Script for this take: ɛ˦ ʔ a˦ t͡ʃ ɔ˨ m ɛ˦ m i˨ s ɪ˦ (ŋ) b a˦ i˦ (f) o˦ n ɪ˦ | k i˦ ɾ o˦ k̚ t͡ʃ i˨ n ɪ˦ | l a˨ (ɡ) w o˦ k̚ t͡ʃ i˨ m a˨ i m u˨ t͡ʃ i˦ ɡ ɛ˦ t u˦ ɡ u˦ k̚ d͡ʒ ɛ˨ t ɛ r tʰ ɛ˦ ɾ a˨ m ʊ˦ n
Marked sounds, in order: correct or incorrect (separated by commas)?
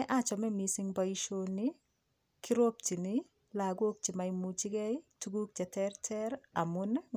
correct, incorrect, correct